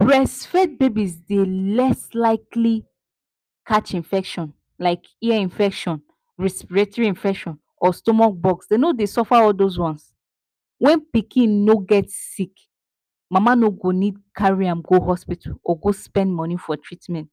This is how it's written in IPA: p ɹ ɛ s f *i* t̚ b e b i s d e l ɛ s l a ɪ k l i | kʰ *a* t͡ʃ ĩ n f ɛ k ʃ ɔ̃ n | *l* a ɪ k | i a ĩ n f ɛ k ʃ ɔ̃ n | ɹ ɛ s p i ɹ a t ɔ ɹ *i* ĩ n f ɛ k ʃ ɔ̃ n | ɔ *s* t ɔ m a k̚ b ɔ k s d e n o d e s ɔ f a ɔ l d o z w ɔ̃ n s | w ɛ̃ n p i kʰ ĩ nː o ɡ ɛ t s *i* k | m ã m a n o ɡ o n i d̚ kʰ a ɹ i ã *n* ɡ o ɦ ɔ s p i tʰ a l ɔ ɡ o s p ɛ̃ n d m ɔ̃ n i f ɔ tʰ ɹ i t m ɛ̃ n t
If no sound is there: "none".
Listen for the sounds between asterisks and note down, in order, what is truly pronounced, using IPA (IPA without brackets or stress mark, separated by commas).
ɛ, a, l, i, s, i, m